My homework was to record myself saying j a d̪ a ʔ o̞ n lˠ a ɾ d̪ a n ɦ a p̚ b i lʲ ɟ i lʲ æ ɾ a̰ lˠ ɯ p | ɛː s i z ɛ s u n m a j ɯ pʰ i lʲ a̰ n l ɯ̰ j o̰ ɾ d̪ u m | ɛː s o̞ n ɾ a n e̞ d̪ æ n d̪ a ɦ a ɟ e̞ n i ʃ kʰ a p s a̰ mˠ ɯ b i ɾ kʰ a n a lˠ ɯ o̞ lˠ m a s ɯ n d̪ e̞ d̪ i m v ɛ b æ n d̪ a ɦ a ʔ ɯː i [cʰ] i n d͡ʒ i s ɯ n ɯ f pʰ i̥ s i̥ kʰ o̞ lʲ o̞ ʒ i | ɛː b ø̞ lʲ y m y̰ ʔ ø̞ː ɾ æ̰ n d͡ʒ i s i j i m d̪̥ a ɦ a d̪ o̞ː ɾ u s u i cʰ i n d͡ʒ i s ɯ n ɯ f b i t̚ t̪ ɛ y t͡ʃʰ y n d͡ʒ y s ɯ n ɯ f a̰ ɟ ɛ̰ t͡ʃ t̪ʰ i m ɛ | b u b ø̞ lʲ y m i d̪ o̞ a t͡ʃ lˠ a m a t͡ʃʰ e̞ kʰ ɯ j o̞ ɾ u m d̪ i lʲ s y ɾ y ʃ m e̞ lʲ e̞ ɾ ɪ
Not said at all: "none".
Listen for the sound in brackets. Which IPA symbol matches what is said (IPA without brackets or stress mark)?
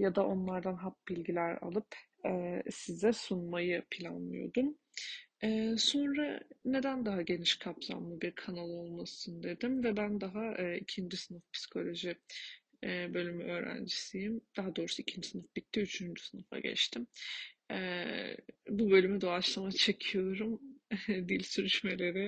cʰ